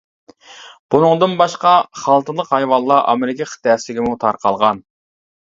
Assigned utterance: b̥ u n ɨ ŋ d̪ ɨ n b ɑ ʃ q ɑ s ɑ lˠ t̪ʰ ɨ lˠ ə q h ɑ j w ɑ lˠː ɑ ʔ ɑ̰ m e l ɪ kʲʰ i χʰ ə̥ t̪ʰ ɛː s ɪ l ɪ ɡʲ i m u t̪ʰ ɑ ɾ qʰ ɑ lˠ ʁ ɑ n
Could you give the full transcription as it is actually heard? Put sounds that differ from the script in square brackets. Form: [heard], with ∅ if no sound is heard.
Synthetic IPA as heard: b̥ u n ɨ ŋ d̪ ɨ n b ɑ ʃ q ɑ [χ] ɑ lˠ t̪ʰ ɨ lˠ ə q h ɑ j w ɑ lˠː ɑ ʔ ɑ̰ m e [ɾ] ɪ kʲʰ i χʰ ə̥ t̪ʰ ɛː s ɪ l ɪ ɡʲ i m u t̪ʰ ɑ ɾ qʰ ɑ lˠ ʁ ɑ n